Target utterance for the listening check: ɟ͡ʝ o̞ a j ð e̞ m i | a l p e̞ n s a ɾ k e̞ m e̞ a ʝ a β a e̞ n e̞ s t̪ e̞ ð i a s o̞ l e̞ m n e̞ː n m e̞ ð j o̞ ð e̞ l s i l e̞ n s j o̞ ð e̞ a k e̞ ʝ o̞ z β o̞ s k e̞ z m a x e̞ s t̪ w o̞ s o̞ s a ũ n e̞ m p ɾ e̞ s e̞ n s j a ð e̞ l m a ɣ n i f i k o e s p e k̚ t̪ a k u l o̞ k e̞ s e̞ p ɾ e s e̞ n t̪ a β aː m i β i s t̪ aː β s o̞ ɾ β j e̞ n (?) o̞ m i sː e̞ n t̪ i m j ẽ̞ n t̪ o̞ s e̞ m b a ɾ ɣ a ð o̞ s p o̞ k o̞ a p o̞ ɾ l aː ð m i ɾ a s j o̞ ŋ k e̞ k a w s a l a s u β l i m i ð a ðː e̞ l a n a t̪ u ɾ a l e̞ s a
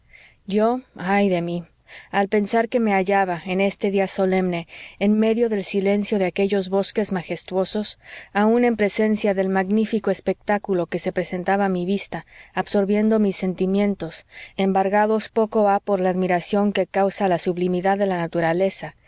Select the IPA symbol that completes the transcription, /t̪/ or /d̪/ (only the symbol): d̪